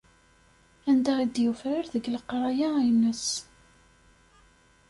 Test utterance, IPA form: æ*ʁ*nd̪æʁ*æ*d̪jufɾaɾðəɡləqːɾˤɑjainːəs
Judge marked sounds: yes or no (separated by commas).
no, no